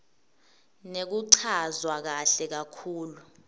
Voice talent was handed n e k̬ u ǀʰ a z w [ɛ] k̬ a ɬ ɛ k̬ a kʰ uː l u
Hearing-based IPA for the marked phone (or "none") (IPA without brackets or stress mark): a